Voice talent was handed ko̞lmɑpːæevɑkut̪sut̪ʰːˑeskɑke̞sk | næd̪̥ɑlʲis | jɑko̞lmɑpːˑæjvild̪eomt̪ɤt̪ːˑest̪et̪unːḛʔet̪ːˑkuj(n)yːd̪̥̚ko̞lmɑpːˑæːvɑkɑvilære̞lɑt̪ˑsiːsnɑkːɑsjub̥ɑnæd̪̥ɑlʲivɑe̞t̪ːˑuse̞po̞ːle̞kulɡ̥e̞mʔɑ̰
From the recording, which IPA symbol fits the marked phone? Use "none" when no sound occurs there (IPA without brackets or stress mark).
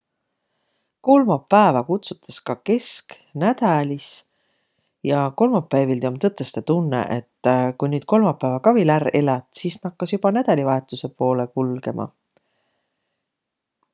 n